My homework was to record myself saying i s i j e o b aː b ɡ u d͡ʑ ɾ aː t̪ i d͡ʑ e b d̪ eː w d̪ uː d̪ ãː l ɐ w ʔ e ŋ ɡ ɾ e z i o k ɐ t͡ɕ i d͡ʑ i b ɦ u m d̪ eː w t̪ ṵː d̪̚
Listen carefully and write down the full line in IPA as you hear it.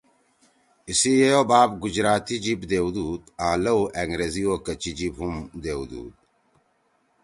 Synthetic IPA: i s i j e o b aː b ɡ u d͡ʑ ɾ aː t̪ i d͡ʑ i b d̪ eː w d̪ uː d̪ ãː l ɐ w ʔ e ŋ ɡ ɾ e z i o k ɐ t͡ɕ i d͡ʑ i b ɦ u m d̪ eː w d̪ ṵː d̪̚